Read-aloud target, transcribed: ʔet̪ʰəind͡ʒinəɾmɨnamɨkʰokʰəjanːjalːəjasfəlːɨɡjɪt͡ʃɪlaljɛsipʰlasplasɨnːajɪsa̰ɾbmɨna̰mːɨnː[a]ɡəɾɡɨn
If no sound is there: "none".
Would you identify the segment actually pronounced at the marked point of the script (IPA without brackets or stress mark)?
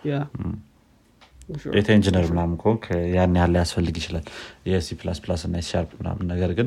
ə